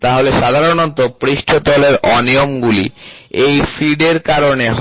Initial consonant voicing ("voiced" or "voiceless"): voiceless